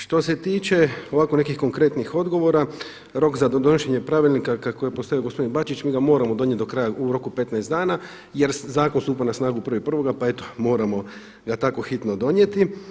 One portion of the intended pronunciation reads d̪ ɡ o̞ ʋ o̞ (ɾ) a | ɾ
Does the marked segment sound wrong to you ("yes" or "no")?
no